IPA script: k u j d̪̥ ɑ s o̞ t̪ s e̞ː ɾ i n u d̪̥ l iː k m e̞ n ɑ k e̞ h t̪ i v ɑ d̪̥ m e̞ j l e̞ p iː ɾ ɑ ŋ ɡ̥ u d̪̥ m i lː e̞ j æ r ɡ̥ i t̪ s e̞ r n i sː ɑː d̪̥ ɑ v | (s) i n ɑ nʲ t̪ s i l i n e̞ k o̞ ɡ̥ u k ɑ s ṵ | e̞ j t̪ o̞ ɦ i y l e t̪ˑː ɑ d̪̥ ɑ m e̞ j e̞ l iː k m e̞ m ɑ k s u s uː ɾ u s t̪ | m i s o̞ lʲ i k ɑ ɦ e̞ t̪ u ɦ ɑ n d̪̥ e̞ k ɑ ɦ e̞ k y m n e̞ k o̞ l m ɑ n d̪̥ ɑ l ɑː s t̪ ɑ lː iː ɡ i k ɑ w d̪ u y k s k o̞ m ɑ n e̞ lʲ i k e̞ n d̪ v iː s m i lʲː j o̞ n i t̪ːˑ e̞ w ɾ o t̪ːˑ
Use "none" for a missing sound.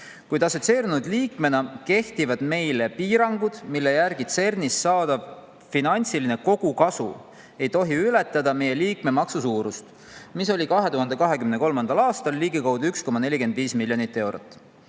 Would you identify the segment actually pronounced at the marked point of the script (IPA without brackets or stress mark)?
f